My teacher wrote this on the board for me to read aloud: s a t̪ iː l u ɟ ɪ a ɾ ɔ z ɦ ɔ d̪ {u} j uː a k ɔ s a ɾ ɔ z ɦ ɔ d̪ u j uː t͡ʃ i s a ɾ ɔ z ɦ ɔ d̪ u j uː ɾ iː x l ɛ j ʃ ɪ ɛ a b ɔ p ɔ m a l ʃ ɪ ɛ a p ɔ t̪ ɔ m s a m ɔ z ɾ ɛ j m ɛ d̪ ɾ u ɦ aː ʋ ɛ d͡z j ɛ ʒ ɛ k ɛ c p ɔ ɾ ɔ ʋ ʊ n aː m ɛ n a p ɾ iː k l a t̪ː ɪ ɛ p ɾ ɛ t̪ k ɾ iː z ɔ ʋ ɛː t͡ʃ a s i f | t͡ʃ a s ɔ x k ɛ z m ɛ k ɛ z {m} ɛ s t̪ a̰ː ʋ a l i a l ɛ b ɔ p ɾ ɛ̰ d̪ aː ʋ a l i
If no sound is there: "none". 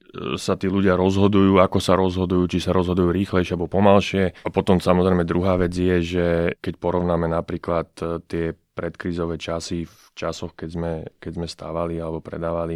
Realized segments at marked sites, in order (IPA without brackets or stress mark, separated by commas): u, m